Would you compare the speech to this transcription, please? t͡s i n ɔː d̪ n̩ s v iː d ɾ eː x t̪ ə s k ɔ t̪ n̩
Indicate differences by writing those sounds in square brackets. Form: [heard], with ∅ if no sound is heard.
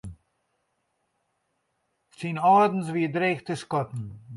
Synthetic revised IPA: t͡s i n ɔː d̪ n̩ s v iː d ɾ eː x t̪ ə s k ɔ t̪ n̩